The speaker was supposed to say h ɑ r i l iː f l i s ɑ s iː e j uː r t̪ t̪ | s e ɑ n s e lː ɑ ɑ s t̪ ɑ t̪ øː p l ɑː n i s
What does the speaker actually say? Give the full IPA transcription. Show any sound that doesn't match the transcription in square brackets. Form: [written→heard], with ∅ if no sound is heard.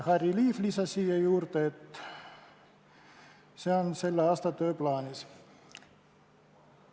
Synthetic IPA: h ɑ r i l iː f l i s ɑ s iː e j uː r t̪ t̪ | s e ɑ n s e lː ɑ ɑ s t̪ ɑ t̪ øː p l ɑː n i s